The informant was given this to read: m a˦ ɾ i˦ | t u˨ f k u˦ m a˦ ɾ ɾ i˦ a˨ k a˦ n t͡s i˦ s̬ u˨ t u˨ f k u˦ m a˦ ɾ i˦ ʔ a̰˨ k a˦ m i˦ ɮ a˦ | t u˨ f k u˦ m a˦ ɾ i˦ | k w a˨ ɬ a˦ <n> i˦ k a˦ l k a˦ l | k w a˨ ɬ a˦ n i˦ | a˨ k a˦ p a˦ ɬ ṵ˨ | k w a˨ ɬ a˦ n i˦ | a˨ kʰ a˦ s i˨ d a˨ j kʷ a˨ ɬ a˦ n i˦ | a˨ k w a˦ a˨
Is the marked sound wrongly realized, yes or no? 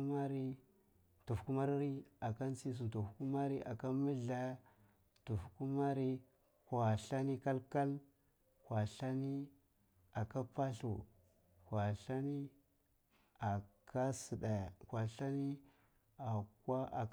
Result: no